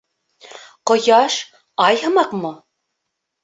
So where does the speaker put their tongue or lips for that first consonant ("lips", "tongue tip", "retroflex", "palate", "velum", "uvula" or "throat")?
uvula